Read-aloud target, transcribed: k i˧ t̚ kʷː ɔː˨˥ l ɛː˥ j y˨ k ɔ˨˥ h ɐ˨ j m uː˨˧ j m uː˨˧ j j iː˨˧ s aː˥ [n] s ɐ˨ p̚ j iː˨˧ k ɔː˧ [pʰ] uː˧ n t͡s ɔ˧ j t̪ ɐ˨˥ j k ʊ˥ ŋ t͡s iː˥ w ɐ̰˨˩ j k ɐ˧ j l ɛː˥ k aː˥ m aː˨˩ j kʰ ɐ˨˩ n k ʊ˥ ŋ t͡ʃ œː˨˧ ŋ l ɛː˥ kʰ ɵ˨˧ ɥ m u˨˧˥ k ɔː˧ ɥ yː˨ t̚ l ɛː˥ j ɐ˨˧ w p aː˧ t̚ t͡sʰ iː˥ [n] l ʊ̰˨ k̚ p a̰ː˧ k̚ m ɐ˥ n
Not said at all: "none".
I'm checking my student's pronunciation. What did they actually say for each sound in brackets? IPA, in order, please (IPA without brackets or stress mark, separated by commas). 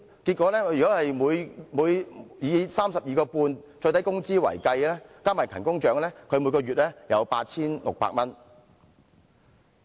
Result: m, p, n